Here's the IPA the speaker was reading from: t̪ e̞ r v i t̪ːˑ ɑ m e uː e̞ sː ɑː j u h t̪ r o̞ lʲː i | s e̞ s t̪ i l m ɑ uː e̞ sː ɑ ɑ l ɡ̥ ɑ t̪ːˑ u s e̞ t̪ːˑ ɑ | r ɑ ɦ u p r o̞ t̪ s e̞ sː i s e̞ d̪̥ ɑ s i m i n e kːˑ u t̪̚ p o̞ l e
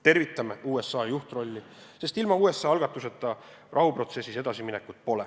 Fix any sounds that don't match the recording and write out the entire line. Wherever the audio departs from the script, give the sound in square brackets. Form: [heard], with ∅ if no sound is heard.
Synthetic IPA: t̪ e̞ r v i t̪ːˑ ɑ m e uː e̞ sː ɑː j u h t̪ r o̞ lʲː i | s e̞ s t̪ i l m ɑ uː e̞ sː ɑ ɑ l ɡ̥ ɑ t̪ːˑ u s e̞ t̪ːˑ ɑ | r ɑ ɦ u p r o̞ t̪ s e̞ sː i s e̞ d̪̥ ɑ s i m i n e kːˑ u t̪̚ p o̞ l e